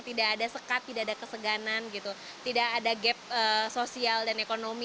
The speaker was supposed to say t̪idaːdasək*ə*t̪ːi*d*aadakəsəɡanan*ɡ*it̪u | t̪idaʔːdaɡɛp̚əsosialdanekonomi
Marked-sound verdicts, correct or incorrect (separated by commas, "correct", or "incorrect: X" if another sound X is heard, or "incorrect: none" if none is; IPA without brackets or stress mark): incorrect: a, correct, correct